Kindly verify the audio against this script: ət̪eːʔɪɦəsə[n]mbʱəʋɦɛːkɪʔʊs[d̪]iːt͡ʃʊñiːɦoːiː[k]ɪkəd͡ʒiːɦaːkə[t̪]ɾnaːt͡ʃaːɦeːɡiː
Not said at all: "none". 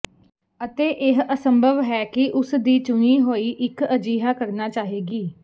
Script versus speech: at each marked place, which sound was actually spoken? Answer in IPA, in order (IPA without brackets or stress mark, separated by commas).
none, d̪, ʔ, none